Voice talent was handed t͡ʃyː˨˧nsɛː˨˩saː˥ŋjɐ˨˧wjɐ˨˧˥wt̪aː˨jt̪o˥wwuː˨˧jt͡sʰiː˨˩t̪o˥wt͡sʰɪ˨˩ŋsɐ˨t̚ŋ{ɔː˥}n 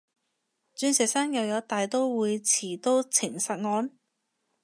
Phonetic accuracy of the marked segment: incorrect: ɔː˨˧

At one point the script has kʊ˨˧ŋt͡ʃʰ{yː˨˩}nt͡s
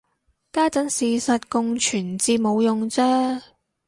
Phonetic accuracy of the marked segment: correct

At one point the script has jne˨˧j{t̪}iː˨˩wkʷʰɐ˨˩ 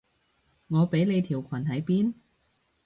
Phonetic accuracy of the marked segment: incorrect: t̪ʰ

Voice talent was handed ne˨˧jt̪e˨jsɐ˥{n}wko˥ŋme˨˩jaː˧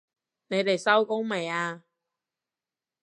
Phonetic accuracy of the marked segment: incorrect: none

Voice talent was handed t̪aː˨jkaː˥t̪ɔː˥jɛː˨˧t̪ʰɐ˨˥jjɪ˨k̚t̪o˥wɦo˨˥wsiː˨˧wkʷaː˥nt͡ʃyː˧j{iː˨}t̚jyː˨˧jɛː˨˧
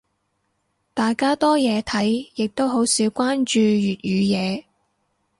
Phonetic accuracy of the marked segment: incorrect: yː˨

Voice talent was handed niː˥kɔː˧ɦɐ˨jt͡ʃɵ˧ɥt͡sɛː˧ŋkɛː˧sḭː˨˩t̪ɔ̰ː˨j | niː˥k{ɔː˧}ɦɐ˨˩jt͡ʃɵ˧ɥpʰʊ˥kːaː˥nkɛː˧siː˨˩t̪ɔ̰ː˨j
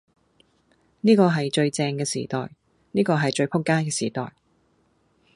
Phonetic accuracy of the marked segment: correct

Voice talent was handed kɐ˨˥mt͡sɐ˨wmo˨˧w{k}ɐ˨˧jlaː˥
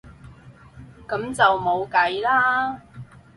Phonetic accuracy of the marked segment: correct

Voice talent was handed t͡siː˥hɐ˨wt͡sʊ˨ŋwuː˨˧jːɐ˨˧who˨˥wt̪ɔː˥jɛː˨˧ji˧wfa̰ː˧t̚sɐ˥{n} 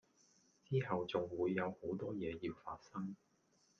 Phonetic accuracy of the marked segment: incorrect: ŋ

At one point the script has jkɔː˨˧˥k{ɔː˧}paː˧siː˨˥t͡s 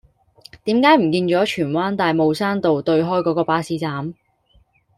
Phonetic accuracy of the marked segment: correct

